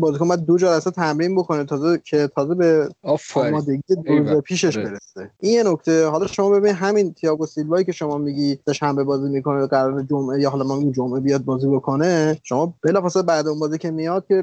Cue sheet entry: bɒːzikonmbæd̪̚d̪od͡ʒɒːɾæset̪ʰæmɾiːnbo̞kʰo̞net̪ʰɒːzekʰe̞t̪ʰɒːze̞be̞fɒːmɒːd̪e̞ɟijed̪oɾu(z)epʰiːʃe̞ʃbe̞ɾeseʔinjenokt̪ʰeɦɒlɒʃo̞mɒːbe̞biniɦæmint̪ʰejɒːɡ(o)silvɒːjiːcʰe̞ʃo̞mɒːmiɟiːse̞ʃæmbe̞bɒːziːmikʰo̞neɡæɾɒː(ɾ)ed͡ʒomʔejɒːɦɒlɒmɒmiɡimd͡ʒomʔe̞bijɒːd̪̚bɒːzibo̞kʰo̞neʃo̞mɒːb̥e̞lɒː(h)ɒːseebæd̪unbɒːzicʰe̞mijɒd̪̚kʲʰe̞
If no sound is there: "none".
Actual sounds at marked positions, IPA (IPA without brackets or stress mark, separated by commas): z, o, ɾ, f